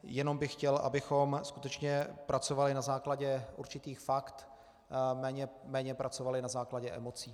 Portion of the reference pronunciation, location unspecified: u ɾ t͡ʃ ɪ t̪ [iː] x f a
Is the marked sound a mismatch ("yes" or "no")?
no